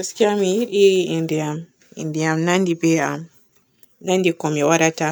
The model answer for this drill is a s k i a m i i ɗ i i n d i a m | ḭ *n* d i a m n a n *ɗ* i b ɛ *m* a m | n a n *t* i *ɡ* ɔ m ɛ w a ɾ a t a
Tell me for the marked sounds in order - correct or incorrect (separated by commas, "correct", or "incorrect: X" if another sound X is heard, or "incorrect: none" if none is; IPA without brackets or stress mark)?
correct, incorrect: d, incorrect: none, incorrect: d, incorrect: k